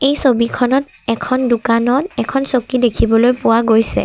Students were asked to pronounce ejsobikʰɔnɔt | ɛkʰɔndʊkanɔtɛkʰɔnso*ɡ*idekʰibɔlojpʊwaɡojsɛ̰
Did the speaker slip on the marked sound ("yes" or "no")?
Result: yes